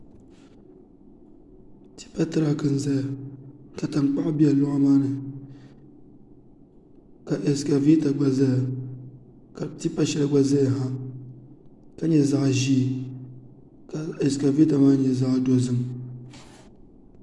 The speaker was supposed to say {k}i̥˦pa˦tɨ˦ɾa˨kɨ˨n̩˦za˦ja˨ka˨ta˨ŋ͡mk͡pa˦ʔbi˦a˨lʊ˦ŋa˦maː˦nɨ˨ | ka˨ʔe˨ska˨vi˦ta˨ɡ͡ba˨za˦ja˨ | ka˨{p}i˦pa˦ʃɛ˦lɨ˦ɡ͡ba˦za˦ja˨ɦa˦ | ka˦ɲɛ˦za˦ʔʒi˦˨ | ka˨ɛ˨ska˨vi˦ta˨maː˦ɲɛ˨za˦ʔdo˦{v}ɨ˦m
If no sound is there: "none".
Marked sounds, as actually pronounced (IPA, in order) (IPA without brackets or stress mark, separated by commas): t, t, z